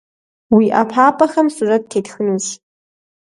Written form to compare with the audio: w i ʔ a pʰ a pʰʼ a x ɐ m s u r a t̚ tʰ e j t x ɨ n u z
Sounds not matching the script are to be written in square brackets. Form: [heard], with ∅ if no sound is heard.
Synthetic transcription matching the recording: w i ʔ a pʰ a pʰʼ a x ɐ m s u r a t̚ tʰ e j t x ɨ n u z